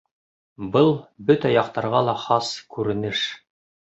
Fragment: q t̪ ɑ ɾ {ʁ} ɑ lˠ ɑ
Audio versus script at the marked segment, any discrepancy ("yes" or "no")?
no